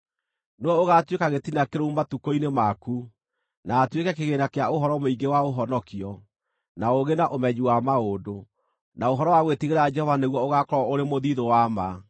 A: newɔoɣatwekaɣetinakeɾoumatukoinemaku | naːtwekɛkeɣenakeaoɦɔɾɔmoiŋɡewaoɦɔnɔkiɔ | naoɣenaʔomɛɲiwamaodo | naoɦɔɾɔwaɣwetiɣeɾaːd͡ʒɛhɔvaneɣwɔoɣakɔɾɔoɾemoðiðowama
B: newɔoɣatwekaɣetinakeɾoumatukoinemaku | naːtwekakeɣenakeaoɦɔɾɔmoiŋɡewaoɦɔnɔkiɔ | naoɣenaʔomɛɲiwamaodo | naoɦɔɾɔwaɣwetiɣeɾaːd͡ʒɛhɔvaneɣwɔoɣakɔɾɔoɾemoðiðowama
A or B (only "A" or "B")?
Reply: A